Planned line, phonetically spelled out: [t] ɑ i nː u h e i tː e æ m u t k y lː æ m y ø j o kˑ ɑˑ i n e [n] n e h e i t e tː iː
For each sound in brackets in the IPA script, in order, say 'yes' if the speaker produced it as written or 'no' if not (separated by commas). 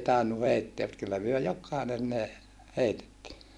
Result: yes, yes